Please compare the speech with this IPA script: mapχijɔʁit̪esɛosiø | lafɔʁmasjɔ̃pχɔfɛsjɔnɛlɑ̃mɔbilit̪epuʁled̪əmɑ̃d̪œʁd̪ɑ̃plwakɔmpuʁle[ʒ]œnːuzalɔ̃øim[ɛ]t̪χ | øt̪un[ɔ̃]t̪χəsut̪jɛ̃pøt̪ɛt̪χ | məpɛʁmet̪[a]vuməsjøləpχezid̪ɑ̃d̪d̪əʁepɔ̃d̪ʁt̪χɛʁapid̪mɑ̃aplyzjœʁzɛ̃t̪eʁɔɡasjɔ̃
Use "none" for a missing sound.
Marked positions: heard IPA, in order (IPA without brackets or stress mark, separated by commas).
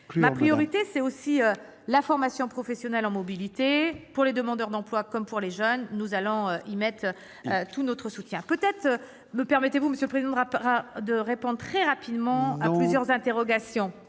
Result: ʒ, ɛ, ɔ, e